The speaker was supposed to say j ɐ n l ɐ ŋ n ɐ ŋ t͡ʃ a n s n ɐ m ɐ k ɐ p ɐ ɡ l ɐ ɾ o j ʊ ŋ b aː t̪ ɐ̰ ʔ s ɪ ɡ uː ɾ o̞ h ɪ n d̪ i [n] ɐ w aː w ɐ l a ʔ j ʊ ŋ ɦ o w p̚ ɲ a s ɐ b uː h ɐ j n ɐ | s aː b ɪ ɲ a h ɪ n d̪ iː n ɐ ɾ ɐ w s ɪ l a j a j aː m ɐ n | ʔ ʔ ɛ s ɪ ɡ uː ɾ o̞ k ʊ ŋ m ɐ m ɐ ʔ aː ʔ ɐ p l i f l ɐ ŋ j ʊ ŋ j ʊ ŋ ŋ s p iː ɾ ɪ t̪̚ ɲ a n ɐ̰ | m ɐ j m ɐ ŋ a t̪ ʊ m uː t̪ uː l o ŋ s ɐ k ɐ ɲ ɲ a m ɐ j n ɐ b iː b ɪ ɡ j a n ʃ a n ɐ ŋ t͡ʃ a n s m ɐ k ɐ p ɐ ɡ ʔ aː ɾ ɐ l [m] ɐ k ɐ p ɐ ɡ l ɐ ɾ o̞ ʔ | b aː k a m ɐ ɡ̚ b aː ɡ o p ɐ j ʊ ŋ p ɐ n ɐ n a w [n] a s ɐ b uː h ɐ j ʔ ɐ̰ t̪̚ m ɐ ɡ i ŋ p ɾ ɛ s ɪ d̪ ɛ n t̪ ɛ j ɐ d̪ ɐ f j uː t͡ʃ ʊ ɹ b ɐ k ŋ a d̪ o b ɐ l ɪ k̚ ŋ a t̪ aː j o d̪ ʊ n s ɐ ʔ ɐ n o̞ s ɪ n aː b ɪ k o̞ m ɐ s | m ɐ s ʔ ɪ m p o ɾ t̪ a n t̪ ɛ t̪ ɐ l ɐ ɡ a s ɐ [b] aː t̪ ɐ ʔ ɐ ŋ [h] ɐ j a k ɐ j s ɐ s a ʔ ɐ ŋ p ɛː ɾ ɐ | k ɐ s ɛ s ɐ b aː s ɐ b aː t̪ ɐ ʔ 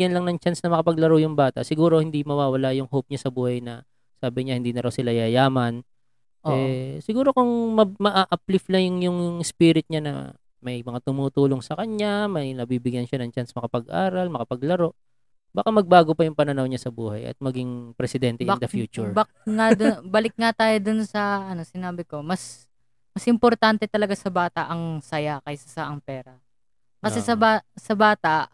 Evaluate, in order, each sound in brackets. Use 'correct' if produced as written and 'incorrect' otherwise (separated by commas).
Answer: incorrect, correct, incorrect, correct, incorrect